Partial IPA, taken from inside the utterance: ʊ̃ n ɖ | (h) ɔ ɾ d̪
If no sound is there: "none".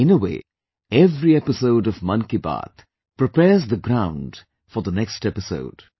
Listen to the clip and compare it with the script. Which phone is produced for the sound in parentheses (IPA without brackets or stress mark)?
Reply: f